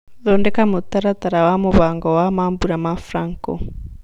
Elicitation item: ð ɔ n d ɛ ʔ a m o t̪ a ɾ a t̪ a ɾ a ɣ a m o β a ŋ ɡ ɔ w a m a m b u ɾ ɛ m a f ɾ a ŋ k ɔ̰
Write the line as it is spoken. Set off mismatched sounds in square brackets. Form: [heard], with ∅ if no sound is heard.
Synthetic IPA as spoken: ð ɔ n d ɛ [k] a m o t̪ a ɾ a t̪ a ɾ a [w] a m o β a ŋ ɡ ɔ w a m a m b u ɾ [a] m a f ɾ a ŋ k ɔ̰

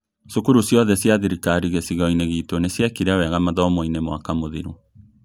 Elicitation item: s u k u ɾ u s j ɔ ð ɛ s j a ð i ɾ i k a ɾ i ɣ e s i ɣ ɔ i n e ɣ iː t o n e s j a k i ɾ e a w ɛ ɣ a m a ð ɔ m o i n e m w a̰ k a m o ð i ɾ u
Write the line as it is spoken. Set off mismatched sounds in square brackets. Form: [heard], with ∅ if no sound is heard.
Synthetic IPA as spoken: s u k u ɾ u s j ɔ ð ɛ s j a ð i ɾ i k a ɾ i ɣ e s i ɣ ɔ i n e ɣ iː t o n e s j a k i ɾ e a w ɛ ɣ a m a ð ɔ m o i n e m w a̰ k a m o ð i ɾ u

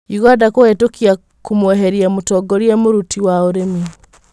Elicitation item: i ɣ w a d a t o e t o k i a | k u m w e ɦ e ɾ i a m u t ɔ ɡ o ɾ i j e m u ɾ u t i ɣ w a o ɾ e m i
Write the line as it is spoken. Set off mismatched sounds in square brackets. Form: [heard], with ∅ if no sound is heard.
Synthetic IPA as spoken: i ɣ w a d a [k] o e t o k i a | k u m w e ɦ e ɾ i a m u t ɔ ɡ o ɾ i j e m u ɾ u t i [∅] w a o ɾ e m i

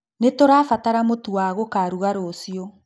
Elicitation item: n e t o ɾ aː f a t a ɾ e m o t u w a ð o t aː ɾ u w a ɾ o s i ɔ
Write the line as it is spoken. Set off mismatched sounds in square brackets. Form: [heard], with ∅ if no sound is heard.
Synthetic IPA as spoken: n e t o ɾ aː f a t a ɾ [a] m o t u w a [ɣ] o [k] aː ɾ u [ɣ] a ɾ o s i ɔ

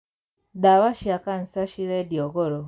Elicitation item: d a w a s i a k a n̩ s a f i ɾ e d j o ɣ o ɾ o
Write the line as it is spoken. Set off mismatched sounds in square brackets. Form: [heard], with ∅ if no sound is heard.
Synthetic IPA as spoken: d a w a [ʃ] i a k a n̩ s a [ʃ] i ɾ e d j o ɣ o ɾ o

